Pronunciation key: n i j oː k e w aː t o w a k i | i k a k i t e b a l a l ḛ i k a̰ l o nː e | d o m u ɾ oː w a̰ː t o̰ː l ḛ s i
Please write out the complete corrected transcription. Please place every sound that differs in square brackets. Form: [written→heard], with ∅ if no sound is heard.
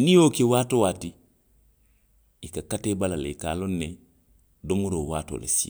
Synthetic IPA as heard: n i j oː k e w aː t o w a [k→t] i | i k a k [i→a] t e b a l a l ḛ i k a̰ l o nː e | d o m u ɾ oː w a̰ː t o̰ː l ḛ s i